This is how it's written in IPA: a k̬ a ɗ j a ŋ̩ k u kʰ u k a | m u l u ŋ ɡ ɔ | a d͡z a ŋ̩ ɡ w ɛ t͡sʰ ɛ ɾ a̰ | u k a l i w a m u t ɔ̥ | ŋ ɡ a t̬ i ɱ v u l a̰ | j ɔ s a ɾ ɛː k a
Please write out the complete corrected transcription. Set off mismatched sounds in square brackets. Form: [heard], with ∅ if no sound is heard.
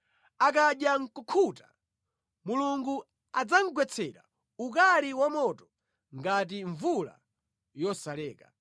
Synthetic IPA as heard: a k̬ a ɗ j a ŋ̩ k u kʰ u [t] a | m u l u ŋ ɡ [u] | a d͡z a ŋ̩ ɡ w ɛ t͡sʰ ɛ ɾ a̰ | u k a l i w a m [ɔ] t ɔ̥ | ŋ ɡ a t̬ i ɱ v u l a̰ | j ɔ s a [l] ɛː k a